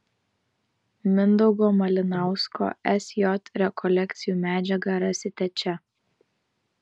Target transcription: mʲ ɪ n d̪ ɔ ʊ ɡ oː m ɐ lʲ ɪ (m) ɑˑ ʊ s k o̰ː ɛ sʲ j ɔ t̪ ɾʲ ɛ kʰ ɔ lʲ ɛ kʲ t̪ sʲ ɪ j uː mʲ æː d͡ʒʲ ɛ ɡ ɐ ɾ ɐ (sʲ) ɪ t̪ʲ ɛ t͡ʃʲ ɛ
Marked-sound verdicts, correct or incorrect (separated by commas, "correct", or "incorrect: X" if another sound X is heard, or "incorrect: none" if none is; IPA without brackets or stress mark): incorrect: n, correct